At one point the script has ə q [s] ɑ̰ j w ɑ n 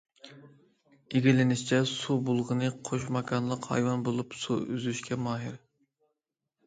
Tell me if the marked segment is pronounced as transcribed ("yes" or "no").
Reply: no